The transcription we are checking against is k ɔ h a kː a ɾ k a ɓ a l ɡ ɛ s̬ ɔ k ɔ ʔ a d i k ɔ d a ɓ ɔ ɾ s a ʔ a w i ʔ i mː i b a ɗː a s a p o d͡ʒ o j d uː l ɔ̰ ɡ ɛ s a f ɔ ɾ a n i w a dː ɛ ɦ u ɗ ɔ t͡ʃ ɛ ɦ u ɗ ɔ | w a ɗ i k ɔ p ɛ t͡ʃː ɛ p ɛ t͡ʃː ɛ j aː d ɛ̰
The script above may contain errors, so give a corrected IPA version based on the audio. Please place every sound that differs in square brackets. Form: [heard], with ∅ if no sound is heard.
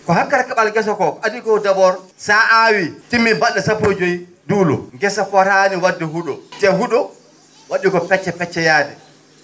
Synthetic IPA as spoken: k ɔ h a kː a ɾ k a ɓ a l ɡ ɛ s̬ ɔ k ɔ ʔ a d i k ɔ d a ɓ ɔ ɾ s a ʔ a w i [t] i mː i b a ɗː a s a p o d͡ʒ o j d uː l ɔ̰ ɡ ɛ s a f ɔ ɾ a n i w a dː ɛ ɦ u ɗ ɔ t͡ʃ ɛ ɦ u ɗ ɔ | w a ɗ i k ɔ p ɛ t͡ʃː ɛ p ɛ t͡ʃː ɛ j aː d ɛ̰